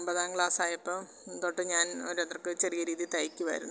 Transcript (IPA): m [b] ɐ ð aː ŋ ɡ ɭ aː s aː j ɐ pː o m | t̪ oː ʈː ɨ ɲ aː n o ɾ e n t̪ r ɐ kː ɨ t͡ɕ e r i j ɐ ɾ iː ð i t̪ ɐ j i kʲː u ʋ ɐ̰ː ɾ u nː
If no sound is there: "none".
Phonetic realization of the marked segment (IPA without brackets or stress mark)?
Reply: b